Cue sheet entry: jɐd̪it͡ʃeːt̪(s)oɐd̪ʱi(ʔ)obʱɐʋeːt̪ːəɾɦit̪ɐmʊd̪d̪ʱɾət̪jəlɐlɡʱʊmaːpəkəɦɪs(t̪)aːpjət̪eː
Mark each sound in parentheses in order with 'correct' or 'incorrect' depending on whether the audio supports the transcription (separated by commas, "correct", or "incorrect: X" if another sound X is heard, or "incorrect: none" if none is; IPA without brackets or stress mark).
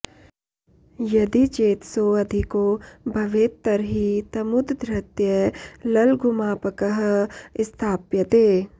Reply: correct, incorrect: k, incorrect: t̪ʰ